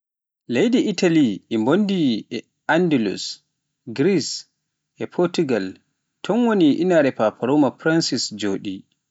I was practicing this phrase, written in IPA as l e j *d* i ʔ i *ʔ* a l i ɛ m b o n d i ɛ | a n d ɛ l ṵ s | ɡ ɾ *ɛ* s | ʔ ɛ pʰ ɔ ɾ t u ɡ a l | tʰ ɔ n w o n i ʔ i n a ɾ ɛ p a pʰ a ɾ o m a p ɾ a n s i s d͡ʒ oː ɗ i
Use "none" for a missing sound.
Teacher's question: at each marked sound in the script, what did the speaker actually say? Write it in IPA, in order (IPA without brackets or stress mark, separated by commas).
d, t, i